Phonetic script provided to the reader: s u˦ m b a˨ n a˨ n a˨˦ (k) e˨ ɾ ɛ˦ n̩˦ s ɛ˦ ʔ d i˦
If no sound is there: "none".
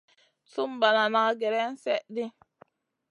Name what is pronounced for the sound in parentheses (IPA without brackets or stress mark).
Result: ɡ